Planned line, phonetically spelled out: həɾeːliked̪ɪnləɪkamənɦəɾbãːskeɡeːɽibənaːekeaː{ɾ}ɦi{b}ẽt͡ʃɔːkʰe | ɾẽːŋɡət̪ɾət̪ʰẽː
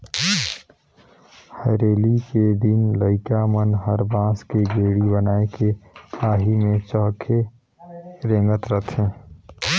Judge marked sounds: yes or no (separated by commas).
no, no